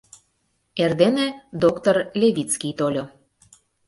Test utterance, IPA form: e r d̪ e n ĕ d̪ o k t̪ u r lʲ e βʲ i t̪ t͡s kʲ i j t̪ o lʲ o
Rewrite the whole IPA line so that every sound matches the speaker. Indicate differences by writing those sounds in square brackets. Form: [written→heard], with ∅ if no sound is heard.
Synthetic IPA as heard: e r d̪ e n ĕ d̪ o k t̪ [u→o] r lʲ e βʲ i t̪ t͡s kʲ i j t̪ o lʲ o